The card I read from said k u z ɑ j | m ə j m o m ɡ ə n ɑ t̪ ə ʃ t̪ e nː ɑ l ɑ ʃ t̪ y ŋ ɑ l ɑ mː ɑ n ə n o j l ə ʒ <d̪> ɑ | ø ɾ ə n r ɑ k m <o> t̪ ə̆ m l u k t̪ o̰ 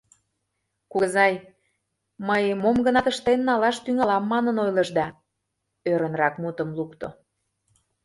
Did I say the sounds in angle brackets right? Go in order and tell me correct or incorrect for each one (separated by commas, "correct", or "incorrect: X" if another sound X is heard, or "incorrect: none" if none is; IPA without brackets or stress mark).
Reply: correct, incorrect: u